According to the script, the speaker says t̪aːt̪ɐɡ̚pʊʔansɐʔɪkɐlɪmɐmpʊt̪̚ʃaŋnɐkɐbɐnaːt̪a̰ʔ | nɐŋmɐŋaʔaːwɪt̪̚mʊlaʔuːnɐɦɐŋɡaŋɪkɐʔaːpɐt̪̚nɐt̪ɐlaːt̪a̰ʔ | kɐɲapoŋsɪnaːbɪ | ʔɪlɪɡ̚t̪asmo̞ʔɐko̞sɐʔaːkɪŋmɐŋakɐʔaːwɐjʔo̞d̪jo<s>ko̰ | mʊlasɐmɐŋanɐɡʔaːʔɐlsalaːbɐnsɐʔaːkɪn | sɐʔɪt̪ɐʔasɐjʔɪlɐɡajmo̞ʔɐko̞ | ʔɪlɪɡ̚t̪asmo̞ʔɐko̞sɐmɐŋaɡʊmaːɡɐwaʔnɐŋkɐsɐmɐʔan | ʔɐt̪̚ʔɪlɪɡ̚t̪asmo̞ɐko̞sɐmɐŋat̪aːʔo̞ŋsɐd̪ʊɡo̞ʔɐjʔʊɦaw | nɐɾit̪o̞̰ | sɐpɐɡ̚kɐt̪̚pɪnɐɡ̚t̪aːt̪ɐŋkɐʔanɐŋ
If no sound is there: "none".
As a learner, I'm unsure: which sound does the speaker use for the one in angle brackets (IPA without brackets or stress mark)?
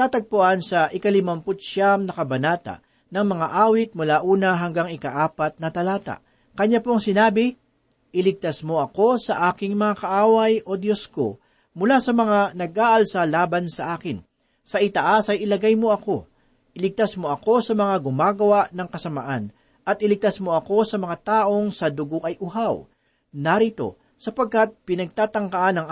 s